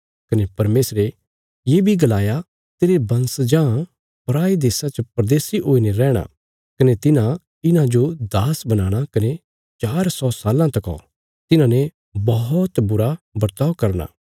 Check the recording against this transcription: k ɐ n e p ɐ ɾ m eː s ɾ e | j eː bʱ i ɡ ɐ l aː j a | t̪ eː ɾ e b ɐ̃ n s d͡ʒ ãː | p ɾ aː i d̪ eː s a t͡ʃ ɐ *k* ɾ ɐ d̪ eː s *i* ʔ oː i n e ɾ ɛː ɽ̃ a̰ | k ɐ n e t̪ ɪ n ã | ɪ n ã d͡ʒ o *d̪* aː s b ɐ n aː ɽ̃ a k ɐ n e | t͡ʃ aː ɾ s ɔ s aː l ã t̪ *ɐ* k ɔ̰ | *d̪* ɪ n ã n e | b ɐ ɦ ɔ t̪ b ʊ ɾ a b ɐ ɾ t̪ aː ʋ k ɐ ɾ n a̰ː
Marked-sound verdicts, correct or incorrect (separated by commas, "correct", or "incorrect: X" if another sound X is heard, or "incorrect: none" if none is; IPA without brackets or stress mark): incorrect: p, correct, correct, correct, incorrect: t̪